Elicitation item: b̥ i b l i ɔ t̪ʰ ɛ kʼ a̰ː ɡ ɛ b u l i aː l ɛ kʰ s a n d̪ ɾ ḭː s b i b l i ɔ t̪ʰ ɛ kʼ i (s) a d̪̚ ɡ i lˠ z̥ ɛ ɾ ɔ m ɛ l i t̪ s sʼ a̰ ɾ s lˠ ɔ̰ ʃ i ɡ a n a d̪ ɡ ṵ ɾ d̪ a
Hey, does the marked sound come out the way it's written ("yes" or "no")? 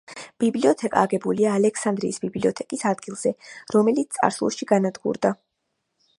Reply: yes